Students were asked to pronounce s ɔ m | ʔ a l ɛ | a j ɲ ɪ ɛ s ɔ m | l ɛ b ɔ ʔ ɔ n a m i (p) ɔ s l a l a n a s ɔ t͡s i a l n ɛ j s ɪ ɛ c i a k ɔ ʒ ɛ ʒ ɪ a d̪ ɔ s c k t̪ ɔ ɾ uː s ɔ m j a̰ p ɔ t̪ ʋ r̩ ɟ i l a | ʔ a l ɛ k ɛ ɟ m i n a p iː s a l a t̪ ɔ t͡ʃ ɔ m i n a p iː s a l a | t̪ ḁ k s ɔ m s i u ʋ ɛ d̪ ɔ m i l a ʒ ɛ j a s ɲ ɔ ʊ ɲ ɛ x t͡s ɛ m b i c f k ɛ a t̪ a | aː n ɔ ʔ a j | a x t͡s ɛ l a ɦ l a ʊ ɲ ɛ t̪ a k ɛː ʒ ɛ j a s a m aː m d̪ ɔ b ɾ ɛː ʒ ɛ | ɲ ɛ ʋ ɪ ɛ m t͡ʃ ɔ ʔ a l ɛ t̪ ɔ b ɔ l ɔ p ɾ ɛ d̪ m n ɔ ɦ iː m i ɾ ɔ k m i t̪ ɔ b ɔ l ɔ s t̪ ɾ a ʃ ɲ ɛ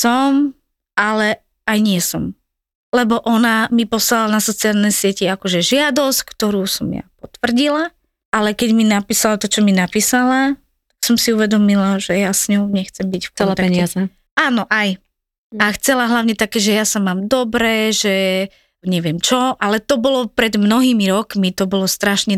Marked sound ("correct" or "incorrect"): correct